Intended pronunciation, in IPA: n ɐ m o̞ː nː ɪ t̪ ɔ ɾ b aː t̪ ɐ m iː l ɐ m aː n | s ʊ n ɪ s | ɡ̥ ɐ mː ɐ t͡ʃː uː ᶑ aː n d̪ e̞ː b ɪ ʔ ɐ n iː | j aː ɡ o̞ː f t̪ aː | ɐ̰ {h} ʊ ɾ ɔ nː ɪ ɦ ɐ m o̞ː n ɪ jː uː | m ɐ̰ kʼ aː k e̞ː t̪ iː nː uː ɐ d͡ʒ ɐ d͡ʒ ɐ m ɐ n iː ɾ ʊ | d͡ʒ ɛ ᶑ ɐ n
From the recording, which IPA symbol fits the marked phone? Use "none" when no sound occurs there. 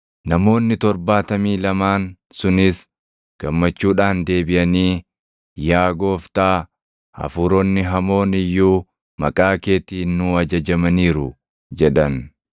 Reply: f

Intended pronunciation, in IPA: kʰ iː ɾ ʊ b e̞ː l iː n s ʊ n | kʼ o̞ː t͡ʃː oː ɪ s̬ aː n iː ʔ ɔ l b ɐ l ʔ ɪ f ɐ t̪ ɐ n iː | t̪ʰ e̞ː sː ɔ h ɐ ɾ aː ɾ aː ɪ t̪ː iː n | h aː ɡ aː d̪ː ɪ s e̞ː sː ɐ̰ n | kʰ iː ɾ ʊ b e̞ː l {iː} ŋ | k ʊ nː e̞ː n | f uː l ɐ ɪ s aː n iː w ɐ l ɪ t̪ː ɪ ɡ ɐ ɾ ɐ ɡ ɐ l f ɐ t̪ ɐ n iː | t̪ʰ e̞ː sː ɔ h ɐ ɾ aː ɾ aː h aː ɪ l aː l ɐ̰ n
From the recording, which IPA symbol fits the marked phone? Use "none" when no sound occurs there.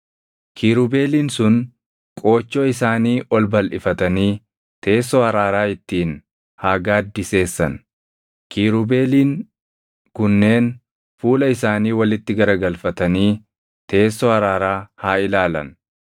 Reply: iː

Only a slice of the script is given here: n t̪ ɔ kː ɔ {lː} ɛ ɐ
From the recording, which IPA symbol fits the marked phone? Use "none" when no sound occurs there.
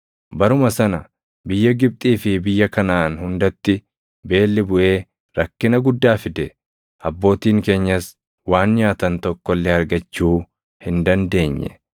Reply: lː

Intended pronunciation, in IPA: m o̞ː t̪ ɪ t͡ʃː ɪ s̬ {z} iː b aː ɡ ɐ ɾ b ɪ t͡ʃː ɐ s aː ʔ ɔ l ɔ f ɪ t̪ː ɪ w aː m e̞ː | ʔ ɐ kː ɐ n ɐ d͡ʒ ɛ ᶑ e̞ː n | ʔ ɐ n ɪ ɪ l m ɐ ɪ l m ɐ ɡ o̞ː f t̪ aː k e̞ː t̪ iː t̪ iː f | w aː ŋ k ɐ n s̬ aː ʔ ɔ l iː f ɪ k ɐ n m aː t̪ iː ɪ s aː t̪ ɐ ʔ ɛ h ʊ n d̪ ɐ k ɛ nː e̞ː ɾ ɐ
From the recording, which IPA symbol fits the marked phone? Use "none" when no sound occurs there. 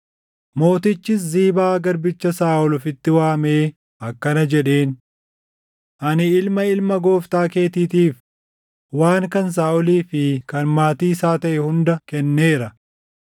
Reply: z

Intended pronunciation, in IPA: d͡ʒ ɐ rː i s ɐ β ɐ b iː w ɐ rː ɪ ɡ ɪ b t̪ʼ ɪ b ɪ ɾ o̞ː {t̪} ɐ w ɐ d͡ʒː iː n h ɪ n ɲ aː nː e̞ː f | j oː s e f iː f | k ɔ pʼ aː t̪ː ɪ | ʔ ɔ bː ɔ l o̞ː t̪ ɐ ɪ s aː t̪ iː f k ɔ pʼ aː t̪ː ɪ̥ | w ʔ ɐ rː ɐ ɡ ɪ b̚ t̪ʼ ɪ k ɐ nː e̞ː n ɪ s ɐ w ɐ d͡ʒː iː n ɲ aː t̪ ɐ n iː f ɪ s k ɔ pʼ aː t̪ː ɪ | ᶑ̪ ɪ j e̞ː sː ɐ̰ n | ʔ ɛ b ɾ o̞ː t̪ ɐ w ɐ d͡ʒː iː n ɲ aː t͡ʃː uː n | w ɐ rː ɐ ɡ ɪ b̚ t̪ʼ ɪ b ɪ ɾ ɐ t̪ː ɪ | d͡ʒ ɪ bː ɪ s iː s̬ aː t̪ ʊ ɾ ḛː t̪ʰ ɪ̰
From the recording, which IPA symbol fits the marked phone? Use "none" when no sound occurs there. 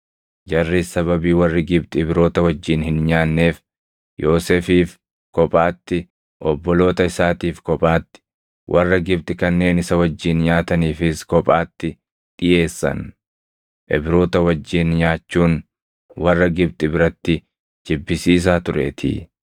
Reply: t̪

